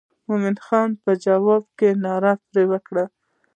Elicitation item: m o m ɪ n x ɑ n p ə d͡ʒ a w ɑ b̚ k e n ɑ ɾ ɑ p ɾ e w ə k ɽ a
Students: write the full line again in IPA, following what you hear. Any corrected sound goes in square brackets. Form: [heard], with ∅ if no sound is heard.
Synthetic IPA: m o m ɪ n x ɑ n p ə d͡ʒ a w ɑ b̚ k e n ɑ ɾ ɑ p ɾ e w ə k ɽ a